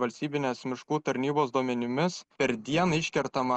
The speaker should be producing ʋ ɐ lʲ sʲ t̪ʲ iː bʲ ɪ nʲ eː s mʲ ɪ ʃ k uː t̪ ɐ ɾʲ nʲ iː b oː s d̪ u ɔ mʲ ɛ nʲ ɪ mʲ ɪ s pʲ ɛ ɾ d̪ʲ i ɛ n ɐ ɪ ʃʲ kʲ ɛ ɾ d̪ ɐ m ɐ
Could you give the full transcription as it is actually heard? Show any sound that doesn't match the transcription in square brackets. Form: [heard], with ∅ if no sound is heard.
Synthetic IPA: ʋ ɐ lʲ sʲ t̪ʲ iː bʲ ɪ nʲ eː s mʲ ɪ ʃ k uː t̪ ɐ ɾʲ nʲ iː b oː s d̪ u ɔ mʲ ɛ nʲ ɪ mʲ ɪ s pʲ ɛ ɾ d̪ʲ i ɛ n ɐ ɪ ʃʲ kʲ ɛ ɾ [t̪] ɐ m ɐ